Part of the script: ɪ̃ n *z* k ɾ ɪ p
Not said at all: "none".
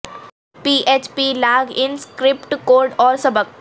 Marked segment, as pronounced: s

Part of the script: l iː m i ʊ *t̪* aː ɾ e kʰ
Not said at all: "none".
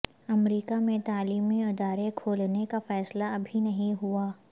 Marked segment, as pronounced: d̪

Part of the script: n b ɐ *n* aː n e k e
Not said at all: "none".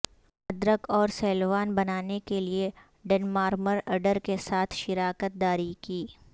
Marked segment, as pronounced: n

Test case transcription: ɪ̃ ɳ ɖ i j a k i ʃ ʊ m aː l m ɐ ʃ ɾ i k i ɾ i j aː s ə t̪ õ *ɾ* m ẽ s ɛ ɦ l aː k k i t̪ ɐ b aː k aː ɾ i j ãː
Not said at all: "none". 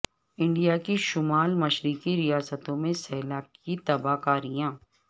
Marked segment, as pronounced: none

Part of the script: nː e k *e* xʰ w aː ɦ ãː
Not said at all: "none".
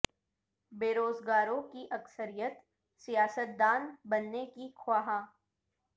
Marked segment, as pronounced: i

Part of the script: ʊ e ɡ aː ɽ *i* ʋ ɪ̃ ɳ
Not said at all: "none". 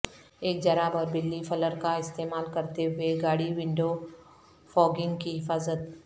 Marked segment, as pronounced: i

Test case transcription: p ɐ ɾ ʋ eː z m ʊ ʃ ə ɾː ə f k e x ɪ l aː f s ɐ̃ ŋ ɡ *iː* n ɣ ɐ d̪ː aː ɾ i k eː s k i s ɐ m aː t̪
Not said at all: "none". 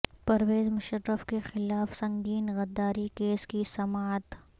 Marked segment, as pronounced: iː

